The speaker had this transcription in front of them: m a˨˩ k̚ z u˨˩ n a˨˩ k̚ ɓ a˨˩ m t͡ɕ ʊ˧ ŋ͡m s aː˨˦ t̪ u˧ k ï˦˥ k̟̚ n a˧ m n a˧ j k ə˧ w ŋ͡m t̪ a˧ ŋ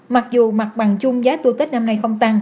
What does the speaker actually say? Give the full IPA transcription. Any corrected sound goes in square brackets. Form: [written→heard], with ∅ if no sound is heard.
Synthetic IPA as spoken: m a˨˩ k̚ z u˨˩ [n→m] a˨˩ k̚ ɓ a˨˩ [m→ŋ] t͡ɕ ʊ˧ ŋ͡m [s→z] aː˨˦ t̪ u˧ k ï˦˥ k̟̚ n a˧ m n a˧ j [k→x] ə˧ w ŋ͡m t̪ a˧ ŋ

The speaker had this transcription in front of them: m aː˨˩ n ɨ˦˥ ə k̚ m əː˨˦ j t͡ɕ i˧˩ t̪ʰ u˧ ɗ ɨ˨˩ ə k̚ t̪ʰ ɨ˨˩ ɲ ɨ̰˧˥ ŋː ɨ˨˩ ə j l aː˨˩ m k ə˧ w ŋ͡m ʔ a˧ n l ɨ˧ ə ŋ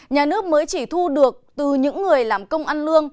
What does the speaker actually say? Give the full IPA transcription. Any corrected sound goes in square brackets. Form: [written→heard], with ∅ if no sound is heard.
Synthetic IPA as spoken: [m→ɲ] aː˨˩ n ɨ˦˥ ə k̚ m əː˨˦ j t͡ɕ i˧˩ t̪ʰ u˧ ɗ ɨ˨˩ ə k̚ [t̪ʰ→t̪] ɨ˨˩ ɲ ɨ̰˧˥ ŋː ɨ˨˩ ə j l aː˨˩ m k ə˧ w ŋ͡m ʔ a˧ n l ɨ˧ ə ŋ

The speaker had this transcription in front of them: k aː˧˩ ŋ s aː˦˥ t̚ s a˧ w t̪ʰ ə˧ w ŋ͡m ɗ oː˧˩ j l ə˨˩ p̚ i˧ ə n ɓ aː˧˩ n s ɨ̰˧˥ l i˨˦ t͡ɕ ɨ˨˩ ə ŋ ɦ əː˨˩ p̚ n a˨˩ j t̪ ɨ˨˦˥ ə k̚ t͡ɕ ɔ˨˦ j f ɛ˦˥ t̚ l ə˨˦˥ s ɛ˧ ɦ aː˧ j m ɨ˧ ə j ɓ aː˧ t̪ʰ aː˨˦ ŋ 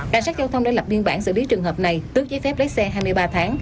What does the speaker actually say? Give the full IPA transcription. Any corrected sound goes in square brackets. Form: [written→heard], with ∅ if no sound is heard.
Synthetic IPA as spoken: k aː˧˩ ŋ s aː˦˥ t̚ [s→z] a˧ w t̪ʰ ə˧ w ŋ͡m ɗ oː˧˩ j l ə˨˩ p̚ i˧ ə n ɓ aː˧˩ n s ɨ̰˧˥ l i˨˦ t͡ɕ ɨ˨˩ ə ŋ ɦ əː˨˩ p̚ n a˨˩ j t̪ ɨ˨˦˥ ə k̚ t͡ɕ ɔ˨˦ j f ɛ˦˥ [t̚→p̚] l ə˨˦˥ s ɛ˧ ɦ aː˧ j m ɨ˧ ə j ɓ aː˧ t̪ʰ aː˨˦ ŋ

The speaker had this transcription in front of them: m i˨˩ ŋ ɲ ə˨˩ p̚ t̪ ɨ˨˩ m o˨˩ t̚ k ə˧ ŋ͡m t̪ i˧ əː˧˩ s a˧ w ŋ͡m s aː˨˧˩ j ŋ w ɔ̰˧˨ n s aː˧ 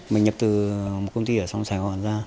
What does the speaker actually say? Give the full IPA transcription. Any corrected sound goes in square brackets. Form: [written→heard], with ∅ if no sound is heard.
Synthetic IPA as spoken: m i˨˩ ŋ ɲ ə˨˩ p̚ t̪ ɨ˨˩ m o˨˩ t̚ k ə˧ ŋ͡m t̪ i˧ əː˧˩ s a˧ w ŋ͡m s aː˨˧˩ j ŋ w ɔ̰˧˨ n [s→z] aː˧

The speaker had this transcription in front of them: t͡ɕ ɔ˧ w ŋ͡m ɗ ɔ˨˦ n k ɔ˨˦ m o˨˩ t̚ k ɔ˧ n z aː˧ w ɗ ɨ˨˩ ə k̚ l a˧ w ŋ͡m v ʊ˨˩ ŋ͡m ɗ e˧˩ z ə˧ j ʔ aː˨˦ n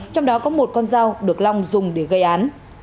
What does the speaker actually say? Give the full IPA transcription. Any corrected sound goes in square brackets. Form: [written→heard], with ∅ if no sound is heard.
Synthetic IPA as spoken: t͡ɕ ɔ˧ w ŋ͡m ɗ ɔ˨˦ [n→∅] k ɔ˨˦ m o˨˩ t̚ k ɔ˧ n z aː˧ w ɗ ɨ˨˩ ə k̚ l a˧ w ŋ͡m [v→z] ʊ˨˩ ŋ͡m ɗ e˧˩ [z→ɣ] ə˧ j ʔ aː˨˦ n

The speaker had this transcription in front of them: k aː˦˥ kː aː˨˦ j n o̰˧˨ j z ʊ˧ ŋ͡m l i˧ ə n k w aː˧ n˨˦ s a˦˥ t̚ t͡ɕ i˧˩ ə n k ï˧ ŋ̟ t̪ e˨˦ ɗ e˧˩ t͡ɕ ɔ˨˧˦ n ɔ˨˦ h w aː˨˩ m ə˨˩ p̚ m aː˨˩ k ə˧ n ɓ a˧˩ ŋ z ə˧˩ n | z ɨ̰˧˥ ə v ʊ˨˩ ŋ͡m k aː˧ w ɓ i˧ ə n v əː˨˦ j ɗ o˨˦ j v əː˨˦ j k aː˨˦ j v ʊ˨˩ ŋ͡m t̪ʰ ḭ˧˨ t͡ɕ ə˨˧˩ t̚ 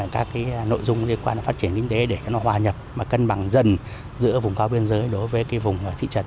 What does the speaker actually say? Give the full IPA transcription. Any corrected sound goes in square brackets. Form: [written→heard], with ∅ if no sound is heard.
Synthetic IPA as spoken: k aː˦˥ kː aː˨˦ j n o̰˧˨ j z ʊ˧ ŋ͡m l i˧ ə n k w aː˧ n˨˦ [s→f] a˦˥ t̚ t͡ɕ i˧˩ ə n k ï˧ ŋ̟ t̪ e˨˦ ɗ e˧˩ t͡ɕ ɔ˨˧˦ n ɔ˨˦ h w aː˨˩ [m→ɲ] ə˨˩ p̚ m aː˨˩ k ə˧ n ɓ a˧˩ ŋ z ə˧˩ n | z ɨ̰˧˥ ə v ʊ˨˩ ŋ͡m k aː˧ w ɓ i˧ ə n [v→z] əː˨˦ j ɗ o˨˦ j v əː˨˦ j k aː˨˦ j v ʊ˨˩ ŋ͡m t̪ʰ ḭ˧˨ t͡ɕ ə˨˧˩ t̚

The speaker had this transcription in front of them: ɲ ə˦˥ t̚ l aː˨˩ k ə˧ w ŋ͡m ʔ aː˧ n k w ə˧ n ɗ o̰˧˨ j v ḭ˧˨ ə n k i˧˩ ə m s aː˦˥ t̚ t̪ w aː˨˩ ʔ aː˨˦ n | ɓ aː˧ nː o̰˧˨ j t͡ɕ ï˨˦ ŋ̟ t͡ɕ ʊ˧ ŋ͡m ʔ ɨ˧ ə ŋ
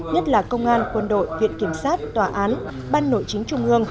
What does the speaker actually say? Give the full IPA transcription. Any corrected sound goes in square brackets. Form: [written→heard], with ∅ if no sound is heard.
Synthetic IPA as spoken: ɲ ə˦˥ t̚ l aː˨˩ k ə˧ w ŋ͡m ʔ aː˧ n k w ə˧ n ɗ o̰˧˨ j v ḭ˧˨ ə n k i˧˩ ə m s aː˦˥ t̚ t̪ w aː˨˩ ʔ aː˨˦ n | ɓ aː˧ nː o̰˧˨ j t͡ɕ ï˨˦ ŋ̟ t͡ɕ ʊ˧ ŋ͡m ʔ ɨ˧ ə ŋ

